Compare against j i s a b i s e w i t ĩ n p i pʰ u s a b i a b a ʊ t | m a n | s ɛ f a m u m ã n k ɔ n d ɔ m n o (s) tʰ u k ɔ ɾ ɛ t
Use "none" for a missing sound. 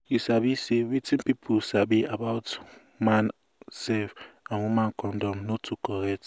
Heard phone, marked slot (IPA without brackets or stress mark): none